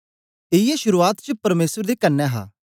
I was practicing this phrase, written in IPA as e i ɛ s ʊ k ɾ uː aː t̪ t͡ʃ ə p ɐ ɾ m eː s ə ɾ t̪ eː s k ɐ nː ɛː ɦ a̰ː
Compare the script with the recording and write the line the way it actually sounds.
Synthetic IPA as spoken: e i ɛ ʃ ʊ ɾ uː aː t̪ t͡ʃ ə p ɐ ɾ m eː s ə ɾ d̪ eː k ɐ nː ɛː ɦ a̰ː